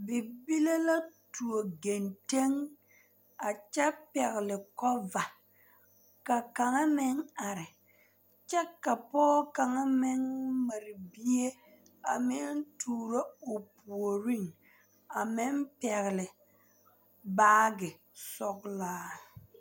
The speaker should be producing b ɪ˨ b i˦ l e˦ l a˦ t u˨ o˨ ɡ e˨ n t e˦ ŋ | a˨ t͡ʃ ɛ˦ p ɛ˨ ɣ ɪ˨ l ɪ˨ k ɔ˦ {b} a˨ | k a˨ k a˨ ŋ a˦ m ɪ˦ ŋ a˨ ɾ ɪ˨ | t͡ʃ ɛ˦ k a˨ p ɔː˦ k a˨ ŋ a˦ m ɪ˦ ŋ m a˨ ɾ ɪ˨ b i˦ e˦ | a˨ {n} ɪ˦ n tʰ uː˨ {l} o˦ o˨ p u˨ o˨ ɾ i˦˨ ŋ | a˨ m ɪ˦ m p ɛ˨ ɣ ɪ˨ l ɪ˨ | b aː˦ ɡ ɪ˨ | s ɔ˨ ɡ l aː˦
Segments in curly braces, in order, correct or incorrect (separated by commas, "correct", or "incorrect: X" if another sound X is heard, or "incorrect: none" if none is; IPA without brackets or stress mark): incorrect: v, incorrect: m, incorrect: ɾ